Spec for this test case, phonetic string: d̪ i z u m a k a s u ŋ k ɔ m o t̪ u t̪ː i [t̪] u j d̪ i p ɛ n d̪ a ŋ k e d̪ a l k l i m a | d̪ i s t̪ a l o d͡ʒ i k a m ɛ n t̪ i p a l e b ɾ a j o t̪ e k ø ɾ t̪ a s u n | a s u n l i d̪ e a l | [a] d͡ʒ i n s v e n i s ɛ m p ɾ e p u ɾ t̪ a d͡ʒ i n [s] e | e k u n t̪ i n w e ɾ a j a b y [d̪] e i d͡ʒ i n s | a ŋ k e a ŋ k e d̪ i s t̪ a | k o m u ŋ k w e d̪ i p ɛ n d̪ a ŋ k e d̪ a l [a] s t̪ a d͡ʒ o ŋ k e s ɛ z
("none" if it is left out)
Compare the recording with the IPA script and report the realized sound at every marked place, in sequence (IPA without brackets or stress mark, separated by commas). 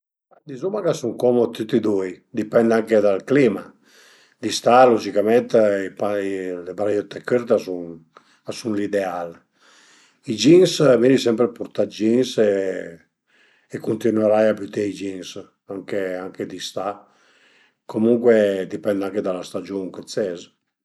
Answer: d̪, i, s, t̪, a